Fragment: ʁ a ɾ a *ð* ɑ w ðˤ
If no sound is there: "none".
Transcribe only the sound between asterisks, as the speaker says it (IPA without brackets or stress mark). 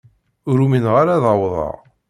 ð